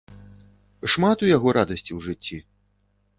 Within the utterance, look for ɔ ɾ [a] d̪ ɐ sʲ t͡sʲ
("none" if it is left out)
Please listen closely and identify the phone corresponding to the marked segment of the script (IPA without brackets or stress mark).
a